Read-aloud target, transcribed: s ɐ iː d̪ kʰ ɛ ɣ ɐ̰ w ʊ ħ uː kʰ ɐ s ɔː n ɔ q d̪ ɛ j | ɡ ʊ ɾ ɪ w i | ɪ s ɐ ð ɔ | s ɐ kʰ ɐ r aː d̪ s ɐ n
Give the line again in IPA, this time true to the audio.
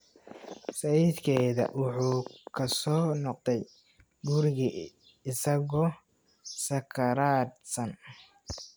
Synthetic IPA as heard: s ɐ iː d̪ kʰ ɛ ð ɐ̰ w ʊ ħ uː kʰ ɐ s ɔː n ɔ q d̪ ɛ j | ɡ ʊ ɾ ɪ ɣ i | ɪ s ɐ ɣ ɔ | s ɐ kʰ ɐ ɾ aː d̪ s ɐ n

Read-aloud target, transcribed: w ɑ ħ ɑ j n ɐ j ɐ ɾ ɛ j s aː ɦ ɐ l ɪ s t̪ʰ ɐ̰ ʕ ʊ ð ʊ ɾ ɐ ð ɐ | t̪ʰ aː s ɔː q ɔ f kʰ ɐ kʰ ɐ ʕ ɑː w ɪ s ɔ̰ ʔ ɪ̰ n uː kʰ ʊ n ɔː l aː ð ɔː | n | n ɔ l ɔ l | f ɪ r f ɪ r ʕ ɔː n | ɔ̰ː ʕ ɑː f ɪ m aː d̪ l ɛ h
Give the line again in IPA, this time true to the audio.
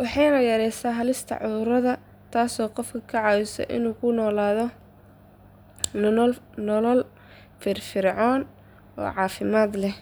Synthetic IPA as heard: w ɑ ħ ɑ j n ɐ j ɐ ɾ ɛ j s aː ɦ ɐ l ɪ s t̪ʰ ɐ̰ ʕ ʊ ð ʊ ɾ ɐ ð ɐ | t̪ʰ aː s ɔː q ɔ f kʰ ɐ kʰ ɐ ʕ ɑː w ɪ s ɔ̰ ʔ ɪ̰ n uː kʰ ʊ n ɔː l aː ð ɔ | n | n ɔ l ɔ l | f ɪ r f ɪ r ʕ ɔː n | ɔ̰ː ʕ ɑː f ɪ m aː d̪ l ɛ h

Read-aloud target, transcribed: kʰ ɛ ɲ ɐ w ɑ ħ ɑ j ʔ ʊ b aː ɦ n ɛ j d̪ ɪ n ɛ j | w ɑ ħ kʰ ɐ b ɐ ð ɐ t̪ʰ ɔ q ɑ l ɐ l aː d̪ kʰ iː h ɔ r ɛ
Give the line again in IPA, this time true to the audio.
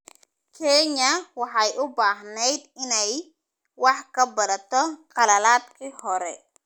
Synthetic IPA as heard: kʰ ɛ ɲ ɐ w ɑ ħ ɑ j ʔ ʊ b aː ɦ n ɛ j d̪ ɪ n ɛ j | w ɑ ħ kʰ ɐ b ɐ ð ɐ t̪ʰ ɔ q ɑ l ɐ l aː d̪ kʰ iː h ɔ ɾ ɛ

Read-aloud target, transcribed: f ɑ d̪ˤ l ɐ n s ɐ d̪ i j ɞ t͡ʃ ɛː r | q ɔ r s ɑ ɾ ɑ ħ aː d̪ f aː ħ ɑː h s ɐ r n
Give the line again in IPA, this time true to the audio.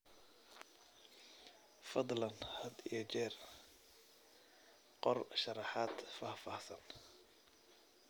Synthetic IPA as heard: f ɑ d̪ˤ l ɐ n h ɐ d̪ i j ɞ t͡ʃ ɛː r | q ɔ r ʃ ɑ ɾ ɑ ħ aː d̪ f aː f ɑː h s ɐ n

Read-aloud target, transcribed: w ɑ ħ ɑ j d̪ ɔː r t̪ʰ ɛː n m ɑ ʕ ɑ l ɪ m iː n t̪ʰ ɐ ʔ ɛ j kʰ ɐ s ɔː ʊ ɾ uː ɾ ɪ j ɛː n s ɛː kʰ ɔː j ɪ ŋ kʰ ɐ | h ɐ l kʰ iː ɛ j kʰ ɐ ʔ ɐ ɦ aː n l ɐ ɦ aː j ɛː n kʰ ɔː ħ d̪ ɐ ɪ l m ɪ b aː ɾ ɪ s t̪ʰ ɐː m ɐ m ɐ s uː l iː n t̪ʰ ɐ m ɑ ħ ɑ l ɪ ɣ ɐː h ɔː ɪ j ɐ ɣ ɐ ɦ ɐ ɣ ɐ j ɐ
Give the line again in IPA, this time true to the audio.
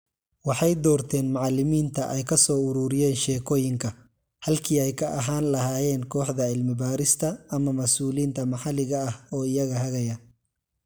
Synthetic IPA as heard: w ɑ ħ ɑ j d̪ ɔː r t̪ʰ ɛː n m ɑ ʕ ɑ l ɪ m iː n t̪ʰ ɐ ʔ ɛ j kʰ ɐ s ɔː ʊ ɾ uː ɾ ɪ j ɛː n ʃ ɛː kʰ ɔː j ɪ ŋ kʰ ɐ | h ɐ l kʰ iː ɛ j kʰ ɐ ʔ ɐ ɦ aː n l ɐ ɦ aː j ɛː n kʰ ɔː ħ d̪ ɐ ɪ l m ɪ b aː ɾ ɪ s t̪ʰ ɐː m ɐ m ɐ s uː l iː n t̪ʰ ɐ m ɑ ħ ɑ l ɪ ɣ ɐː h ɔː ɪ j ɐ ɣ ɐ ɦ ɐ ɣ ɐ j ɐ

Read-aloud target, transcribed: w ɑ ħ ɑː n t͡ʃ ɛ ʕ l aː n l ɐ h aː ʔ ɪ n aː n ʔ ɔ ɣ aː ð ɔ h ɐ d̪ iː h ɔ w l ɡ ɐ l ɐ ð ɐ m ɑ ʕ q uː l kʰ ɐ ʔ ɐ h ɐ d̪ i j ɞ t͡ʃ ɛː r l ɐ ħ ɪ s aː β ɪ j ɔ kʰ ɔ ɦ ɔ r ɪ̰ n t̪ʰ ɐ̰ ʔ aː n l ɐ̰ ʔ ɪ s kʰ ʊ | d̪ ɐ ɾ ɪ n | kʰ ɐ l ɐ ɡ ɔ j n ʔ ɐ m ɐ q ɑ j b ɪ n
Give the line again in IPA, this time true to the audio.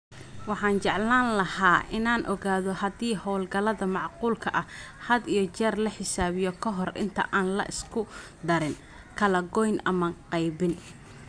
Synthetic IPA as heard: w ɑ ħ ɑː n t͡ʃ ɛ ʕ l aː n l ɐ h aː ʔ ɪ n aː n ʔ ɔ ɣ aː ð ɔ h ɐ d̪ iː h ɔ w l ɡ ɐ l ɐ ð ɐ m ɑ ʕ q uː l kʰ ɐ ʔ ɐ h ɐ d̪ i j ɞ t͡ʃ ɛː r l ɐ ħ ɪ s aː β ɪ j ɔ kʰ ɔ ɦ ɔ r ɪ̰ n t̪ʰ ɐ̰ ʔ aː n l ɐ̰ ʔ ɪ s kʰ ʊ | d̪ ɐ ɾ ɪ n | kʰ ɐ l ɐ ɡ ɔ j n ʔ ɐ m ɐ q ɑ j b ɪ n

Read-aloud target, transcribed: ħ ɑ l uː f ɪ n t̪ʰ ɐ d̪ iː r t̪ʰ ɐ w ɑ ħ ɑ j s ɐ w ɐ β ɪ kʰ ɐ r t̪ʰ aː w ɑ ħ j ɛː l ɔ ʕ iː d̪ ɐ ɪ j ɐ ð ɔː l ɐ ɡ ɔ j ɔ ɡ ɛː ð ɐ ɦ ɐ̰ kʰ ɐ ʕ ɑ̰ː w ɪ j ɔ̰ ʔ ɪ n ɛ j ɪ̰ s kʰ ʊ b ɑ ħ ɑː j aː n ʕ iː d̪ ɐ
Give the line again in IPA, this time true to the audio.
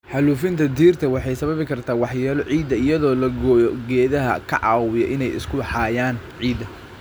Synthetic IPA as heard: ħ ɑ l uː f ɪ n t̪ʰ ɐ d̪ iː r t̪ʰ ɐ w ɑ ħ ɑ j s ɐ β ɐ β ɪ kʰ ɐ r t̪ʰ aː w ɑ ħ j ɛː l ɔ ʕ iː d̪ ɐ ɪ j ɐ ð ɔː l ɐ ɡ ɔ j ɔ ɡ ɛː ð ɐ ɦ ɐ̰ kʰ ɐ ʕ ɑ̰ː w ɪ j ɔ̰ ʔ ɪ n ɛ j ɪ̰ s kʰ ʊ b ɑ ħ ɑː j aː n ʕ iː d̪ ɐ

